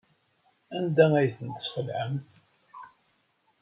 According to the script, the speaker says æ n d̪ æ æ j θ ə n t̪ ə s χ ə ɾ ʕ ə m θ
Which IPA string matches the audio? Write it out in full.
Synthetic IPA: æ n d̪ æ æ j θ ə n t̪ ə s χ ə l ʕ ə m θ